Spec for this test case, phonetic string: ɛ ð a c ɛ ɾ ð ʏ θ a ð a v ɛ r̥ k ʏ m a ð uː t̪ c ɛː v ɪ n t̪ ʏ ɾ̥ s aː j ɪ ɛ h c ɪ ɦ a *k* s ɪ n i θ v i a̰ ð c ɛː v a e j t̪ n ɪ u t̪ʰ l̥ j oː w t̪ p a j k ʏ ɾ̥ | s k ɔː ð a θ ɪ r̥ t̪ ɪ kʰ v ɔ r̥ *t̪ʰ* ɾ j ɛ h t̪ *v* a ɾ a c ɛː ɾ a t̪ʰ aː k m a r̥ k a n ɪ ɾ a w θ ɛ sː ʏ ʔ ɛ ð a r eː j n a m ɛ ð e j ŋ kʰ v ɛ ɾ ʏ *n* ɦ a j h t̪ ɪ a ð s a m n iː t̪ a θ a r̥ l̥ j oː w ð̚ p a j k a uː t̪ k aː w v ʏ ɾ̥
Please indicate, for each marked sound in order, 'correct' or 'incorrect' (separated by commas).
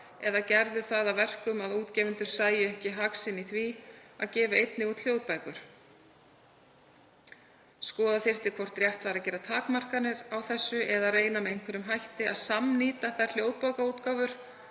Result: correct, incorrect, correct, incorrect